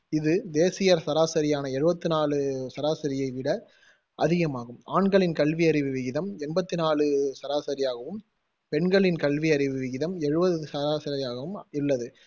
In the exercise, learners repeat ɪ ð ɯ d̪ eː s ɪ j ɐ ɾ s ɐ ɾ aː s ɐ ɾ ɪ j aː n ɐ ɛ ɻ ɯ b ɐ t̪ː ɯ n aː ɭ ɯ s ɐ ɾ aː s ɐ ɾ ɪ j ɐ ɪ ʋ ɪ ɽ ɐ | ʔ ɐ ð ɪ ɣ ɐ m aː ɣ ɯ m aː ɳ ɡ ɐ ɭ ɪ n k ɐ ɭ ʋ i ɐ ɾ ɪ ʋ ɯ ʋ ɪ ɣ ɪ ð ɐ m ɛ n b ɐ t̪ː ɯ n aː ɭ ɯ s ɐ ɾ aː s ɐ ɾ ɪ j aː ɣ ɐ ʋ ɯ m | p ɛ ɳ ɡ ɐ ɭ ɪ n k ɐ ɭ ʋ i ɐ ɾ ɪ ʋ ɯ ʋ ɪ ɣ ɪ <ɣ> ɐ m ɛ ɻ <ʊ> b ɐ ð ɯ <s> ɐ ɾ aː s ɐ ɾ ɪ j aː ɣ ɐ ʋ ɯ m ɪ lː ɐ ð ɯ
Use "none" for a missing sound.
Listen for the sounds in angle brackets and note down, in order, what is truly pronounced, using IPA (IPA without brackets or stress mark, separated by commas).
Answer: ð, ɯ, s